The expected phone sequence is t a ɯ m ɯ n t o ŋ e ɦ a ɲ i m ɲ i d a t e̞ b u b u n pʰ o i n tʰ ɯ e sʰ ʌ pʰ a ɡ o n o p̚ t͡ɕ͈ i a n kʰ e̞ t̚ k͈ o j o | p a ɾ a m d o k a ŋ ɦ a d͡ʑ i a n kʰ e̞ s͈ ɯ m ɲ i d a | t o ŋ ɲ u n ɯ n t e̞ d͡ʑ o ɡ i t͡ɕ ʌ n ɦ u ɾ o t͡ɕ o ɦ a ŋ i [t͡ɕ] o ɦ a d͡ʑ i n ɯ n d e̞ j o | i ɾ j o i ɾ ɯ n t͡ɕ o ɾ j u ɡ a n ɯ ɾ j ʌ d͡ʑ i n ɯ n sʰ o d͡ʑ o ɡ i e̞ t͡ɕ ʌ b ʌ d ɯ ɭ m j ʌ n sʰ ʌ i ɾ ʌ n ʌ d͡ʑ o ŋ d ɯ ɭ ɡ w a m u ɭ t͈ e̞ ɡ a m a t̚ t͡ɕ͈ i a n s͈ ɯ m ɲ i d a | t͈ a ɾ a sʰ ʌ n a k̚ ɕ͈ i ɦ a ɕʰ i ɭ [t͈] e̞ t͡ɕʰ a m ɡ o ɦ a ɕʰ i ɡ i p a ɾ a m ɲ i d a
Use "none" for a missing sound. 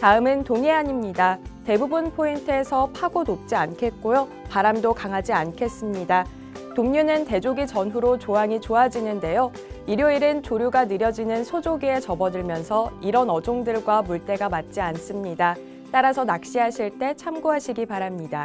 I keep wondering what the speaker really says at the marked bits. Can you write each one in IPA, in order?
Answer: t͡ɕ, t͈

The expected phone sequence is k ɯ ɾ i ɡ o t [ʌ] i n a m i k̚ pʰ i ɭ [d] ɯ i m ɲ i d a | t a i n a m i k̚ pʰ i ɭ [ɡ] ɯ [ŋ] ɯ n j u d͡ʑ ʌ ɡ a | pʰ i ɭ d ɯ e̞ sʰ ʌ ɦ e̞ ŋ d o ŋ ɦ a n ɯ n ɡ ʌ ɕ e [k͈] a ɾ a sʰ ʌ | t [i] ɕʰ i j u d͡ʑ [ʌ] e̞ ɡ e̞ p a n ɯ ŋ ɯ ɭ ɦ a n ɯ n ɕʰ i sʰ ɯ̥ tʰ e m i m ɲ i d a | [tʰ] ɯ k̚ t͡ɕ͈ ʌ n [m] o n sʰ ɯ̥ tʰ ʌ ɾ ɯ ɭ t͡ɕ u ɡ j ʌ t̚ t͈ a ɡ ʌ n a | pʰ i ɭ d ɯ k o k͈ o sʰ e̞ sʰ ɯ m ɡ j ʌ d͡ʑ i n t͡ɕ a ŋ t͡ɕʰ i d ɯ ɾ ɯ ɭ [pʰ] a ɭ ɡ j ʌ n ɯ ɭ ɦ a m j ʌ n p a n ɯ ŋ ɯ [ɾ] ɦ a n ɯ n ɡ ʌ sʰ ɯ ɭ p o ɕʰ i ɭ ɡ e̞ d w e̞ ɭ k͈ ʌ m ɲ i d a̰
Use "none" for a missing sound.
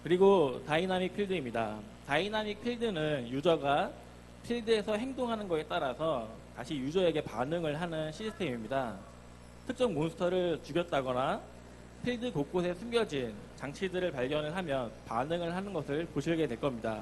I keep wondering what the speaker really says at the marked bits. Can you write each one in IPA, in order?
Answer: a, d, d, n, t͈, a, ʌ, tʰ, m, p, ɭ

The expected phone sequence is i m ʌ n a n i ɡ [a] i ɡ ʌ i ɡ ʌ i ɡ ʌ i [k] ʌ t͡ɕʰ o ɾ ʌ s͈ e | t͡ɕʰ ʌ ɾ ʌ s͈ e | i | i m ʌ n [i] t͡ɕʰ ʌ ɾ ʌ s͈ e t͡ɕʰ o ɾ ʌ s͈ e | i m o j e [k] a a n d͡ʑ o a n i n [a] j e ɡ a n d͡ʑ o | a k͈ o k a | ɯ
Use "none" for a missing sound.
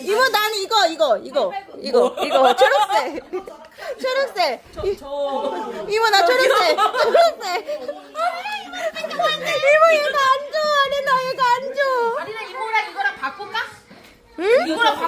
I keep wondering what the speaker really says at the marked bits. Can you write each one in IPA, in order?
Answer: ʌ, ɡ, a, ɡ, a

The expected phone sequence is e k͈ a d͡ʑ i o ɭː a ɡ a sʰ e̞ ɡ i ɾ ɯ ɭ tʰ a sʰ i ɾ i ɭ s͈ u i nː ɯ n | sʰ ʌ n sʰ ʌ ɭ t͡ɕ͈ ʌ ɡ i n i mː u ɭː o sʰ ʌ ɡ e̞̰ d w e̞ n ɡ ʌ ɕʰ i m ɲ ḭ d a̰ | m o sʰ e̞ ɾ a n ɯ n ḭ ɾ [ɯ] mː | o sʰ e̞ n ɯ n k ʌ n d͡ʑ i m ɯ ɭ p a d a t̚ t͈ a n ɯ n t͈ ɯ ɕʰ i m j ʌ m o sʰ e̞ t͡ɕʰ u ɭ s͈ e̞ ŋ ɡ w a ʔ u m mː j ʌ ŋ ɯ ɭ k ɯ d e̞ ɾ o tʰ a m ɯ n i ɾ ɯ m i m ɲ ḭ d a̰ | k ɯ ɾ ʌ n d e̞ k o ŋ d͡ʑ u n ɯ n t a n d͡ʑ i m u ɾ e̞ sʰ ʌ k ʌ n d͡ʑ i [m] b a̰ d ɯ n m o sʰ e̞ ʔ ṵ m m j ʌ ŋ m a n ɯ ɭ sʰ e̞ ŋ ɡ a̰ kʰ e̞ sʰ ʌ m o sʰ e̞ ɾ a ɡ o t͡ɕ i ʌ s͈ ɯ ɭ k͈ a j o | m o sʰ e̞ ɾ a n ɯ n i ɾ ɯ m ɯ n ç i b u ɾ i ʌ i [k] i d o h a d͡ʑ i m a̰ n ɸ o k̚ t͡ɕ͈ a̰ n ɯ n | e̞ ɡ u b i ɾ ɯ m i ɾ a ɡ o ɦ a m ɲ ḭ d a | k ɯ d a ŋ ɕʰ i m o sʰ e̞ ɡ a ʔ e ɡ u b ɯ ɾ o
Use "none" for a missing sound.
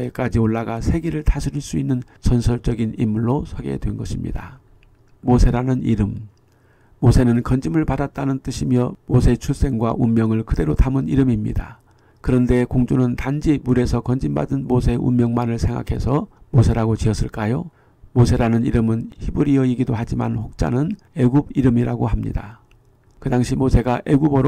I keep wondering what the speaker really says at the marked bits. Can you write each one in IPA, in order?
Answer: ɯ, m, ɡ

